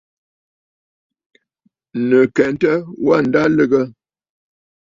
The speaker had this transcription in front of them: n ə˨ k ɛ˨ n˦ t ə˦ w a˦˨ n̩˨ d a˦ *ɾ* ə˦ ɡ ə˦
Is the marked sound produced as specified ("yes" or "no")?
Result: no